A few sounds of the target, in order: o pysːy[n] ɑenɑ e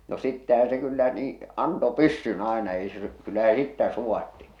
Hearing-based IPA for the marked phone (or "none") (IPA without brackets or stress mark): n